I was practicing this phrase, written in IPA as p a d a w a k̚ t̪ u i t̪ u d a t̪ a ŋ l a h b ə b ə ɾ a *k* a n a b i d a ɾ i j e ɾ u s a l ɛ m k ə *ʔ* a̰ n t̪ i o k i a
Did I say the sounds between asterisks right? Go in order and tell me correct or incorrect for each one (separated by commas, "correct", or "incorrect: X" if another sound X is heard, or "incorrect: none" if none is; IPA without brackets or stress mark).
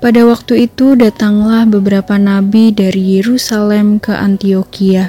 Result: incorrect: p, correct